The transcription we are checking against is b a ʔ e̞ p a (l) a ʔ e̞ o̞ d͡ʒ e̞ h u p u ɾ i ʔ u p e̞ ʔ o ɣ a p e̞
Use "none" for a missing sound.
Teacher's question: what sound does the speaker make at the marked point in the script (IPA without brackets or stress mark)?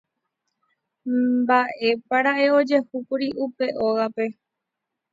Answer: ɾ